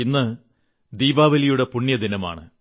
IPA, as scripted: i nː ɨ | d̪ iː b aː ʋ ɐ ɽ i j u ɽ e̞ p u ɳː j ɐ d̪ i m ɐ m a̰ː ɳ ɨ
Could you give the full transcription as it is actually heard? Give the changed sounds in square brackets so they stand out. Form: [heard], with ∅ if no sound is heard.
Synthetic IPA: i nː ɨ | d̪ iː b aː ʋ ɐ [l] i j u ɽ e̞ p u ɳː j ɐ d̪ i [n] ɐ m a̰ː ɳ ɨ